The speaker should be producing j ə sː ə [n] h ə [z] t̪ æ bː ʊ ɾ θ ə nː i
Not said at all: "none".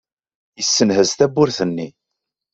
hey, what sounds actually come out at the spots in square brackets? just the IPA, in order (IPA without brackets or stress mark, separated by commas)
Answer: n, z